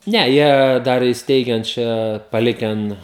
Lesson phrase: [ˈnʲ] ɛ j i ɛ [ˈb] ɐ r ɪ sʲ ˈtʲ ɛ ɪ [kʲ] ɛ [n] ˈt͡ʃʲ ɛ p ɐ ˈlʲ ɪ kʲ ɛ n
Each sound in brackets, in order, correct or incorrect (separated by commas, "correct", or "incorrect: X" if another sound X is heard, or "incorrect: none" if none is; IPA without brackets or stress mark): correct, incorrect: d, incorrect: ɡʲ, correct